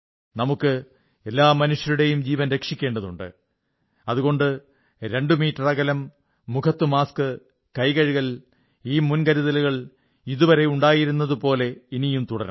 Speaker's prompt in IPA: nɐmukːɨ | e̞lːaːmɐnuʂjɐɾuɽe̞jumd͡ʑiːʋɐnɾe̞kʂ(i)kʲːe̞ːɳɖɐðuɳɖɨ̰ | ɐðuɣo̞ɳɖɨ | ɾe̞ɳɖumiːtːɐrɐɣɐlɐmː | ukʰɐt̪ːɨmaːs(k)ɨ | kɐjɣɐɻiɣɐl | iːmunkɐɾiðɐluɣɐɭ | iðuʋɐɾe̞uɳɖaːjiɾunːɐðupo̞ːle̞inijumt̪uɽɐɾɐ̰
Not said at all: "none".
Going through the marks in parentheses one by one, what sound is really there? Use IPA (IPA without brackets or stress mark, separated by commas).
i, k